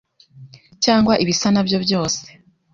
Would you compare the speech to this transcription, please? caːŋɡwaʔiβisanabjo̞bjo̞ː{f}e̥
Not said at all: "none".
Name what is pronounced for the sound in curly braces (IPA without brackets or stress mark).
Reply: s